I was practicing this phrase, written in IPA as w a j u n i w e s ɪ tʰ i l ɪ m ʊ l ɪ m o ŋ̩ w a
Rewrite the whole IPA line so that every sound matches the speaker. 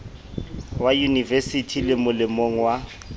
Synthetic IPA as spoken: w a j u n i v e s i tʰ i l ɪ m ʊ l ɪ m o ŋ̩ w a